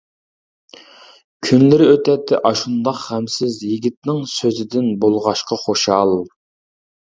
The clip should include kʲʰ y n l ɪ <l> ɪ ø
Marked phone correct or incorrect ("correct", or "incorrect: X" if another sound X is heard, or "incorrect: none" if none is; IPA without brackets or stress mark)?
incorrect: ɾ